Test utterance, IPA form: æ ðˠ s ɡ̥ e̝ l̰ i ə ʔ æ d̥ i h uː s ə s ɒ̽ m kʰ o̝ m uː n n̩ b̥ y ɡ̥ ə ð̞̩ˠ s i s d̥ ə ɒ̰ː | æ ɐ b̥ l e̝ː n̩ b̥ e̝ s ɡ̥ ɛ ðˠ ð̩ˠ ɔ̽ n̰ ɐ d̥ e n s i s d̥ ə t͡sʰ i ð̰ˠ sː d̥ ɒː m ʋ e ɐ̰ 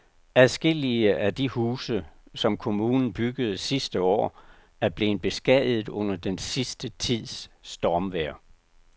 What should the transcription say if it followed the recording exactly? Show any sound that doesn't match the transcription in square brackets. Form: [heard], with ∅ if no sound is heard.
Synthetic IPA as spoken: æ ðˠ s ɡ̥ e̝ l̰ i ə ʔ æ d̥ i h uː s ə s ɒ̽ m kʰ o̝ m uː n n̩ b̥ y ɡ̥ ə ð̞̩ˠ s i s d̥ ə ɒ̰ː | æ ɐ b̥ l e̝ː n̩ b̥ e̝ s ɡ̥ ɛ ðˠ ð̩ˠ ɔ̽ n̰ ɐ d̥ e n s i s d̥ ə t͡sʰ i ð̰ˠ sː d̥ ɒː m ʋ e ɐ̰